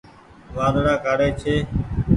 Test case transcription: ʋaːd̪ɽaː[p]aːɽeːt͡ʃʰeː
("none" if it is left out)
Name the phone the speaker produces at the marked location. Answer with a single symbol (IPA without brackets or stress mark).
k